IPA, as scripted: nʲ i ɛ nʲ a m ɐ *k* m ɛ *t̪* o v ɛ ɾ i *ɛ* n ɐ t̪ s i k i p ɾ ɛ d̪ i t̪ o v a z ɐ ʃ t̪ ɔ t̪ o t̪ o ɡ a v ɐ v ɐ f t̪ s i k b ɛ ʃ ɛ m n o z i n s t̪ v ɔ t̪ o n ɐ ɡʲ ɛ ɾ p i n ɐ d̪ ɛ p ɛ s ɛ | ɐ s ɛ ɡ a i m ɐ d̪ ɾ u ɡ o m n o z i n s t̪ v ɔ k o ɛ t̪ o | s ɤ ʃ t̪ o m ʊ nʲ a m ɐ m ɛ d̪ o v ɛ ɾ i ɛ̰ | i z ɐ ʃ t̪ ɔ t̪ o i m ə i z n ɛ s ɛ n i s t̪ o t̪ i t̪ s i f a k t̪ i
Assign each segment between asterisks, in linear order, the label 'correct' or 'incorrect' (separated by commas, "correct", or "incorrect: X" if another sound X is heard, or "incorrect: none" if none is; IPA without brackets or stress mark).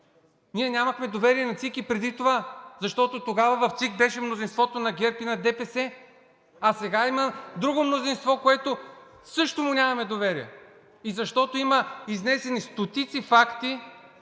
incorrect: x, incorrect: d̪, correct